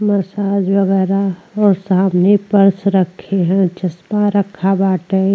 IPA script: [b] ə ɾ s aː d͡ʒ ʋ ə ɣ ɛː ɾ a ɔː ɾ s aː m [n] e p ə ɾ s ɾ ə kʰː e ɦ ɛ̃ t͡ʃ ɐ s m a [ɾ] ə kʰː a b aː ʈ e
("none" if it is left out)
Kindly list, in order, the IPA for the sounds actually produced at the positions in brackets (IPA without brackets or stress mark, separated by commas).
m, n, ɾ